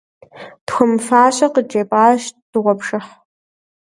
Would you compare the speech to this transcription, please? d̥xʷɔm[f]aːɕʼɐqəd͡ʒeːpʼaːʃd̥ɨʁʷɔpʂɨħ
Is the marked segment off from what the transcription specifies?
no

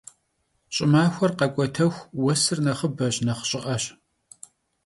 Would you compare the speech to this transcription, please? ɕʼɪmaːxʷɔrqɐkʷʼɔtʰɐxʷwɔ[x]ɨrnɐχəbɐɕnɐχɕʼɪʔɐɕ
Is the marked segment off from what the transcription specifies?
yes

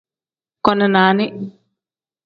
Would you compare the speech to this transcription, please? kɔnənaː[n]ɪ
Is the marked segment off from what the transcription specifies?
no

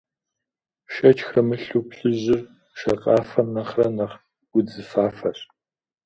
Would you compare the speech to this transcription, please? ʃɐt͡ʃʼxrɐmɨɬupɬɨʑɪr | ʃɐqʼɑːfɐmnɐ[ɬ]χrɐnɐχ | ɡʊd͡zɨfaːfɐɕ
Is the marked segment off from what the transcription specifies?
yes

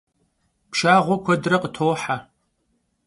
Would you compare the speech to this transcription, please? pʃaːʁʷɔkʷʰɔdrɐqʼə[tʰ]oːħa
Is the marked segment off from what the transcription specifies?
no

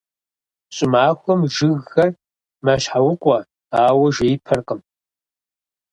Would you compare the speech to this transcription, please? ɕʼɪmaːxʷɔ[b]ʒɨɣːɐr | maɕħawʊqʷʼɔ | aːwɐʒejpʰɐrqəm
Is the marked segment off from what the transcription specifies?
yes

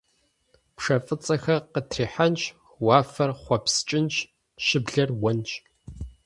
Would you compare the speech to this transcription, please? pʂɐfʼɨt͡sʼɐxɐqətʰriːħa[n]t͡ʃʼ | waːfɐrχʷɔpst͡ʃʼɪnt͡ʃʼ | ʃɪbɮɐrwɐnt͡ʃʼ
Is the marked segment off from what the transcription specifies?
no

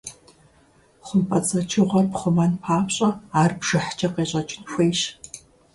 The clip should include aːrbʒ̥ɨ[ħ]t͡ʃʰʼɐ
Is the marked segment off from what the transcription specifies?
no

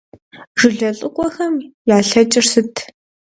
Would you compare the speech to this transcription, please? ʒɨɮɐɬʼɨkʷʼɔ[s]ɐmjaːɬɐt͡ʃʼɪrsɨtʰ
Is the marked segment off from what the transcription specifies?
yes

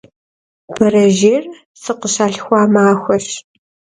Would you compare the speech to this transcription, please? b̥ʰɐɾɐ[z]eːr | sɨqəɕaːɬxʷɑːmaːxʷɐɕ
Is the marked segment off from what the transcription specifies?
yes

